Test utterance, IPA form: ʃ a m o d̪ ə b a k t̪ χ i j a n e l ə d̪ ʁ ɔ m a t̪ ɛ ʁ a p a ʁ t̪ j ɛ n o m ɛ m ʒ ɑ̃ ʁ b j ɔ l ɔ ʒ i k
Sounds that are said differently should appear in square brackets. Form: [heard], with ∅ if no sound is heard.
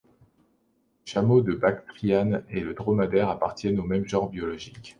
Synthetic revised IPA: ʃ a m o d̪ ə b a k t̪ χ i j a n e l ə d̪ ʁ ɔ m a [d̪] ɛ ʁ a p a ʁ t̪ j ɛ n o m ɛ m ʒ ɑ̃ ʁ b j ɔ l ɔ ʒ i k